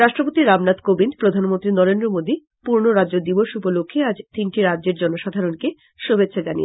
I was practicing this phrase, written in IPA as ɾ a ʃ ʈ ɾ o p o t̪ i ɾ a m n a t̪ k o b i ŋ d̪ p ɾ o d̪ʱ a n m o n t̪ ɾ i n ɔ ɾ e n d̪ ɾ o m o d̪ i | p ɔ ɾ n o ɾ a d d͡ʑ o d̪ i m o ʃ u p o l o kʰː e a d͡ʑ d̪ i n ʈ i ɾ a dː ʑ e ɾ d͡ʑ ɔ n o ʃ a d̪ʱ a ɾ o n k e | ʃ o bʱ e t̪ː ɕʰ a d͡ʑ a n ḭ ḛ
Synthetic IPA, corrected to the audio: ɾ a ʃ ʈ ɾ o p o t̪ i ɾ a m n a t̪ k o b i n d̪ p ɾ o d̪ʱ a n m o n t̪ ɾ i n ɔ ɾ e n d̪ ɾ o m o d̪ i | p u ɾ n o ɾ a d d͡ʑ o d̪ i b o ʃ u p o l o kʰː e a d͡ʑ t̪ i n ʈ i ɾ a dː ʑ e ɾ d͡ʑ ɔ n o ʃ a d̪ʱ a ɾ o n k e | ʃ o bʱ e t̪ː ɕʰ a d͡ʑ a n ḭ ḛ

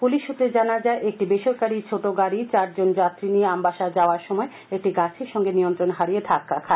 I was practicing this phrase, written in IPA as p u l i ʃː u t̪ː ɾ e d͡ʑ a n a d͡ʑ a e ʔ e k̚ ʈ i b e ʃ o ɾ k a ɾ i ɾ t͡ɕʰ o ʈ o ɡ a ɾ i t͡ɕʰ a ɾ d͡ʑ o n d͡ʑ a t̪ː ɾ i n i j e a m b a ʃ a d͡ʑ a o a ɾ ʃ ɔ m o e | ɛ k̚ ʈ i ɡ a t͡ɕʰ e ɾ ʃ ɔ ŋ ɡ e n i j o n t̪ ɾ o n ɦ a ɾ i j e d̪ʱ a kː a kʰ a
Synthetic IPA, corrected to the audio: p u l i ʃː u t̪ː ɾ e d͡ʑ a n a d͡ʑ a e ʔ e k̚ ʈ i b e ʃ o ɾ k a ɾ i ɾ t͡ɕʰ o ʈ o ɡ a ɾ i t͡ɕ a ɾ d͡ʑ o n d͡ʑ a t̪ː ɾ i n i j e a m b a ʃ a d͡ʑ a o a ɾ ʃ ɔ m ɔ e | e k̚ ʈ i ɡ a t͡ɕʰ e ɾ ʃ ɔ ŋ ɡ e n i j o n t̪ ɾ o n ɦ a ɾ i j e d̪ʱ a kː a kʰ a

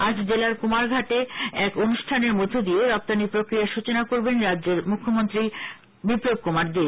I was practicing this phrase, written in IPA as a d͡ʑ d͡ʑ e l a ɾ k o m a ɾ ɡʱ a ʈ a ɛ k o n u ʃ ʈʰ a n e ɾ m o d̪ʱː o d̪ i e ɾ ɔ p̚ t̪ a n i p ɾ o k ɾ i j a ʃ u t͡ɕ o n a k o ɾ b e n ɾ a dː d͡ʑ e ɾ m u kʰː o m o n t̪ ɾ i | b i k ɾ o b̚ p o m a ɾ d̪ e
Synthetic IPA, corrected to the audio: a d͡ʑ d͡ʑ e l a ɾ k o m a ɾ ɡʱ a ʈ e ɛ k o n u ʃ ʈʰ a n e ɾ m o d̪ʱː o d̪ i e ɾ ɔ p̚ t̪ a n i p ɾ o k ɾ i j a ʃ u t͡ɕ o n a k o ɾ b e n ɾ a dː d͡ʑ e ɾ m u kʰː o m o n t̪ ɾ i | b i p ɾ o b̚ k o m a ɾ d̪ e

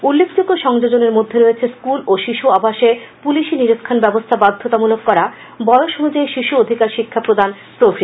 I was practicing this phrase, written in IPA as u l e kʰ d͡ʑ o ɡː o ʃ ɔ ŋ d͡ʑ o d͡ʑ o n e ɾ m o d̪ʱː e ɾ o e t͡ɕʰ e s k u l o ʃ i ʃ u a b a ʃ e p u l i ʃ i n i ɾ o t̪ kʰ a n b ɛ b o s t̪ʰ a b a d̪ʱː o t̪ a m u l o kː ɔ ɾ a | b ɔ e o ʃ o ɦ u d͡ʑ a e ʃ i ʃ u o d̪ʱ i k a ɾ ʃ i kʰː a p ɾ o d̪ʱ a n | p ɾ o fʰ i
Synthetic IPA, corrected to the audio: u lː e kʰ d͡ʑ o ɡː o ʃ ɔ ŋ d͡ʑ o d͡ʑ o n e ɾ m o d̪ʱː e ɾ o e t͡ɕʰ e s k u l o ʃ i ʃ u a b a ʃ e p u l i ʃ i n i ɾ o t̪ kʰ a n b ɛ b o s t̪ʰ a b a d̪ʱː o t̪ a m u l o kː ɔ ɾ a | b ɔ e o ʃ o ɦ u d͡ʑ a e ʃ i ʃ u o d̪ʱ i k a ɾ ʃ i kʰː a p ɾ o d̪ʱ a n | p ɾ o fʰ i

